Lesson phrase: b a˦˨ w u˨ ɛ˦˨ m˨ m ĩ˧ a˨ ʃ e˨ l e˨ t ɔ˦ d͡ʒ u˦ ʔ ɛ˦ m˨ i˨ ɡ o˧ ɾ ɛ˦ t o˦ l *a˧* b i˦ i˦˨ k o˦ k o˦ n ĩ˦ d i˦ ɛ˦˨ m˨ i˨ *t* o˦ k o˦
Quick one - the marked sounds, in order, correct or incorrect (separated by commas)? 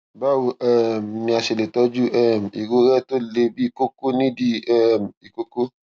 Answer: incorrect, incorrect